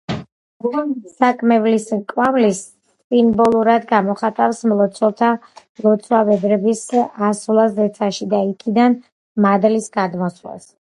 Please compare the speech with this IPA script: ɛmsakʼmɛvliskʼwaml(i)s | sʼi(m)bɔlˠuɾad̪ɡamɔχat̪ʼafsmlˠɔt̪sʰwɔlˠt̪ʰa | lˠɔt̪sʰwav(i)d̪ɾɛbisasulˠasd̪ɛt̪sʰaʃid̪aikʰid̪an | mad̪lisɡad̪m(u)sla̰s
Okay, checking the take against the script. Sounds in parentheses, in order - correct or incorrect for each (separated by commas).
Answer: correct, correct, incorrect, incorrect